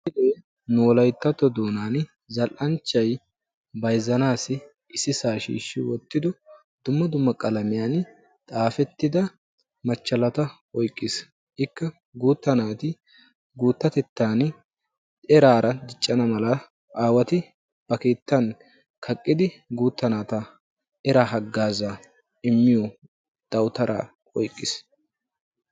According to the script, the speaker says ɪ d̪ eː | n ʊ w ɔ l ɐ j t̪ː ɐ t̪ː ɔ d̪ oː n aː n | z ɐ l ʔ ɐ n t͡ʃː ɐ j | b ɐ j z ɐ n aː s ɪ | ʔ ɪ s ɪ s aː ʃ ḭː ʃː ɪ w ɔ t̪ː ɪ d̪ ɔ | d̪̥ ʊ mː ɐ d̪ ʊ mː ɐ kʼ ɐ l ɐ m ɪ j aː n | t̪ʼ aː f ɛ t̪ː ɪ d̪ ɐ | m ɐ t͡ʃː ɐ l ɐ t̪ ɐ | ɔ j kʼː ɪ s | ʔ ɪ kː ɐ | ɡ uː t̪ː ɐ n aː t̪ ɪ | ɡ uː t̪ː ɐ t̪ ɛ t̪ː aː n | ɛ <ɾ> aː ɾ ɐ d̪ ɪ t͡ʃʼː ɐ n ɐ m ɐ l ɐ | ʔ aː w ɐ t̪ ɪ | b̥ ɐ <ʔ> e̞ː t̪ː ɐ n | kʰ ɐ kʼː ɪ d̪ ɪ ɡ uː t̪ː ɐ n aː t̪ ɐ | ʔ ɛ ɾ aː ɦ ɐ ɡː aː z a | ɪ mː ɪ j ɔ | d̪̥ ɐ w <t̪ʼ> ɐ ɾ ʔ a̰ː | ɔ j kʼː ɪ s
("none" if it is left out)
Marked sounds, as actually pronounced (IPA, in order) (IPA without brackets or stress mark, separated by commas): ɾ, k, t̪